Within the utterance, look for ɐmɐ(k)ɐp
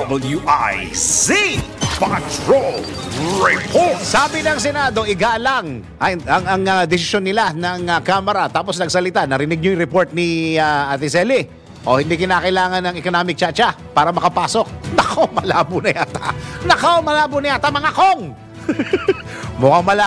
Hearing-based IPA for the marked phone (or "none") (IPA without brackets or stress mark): k